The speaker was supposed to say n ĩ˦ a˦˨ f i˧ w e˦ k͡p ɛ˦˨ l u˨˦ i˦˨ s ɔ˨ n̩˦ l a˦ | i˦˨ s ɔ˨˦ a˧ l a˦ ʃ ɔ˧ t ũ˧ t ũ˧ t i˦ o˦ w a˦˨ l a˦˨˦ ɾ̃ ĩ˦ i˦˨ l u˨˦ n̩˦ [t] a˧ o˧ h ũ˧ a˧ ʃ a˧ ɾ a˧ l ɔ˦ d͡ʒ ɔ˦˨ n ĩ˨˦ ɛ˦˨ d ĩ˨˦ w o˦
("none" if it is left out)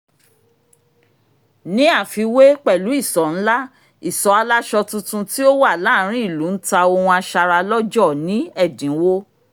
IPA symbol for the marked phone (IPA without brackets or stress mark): t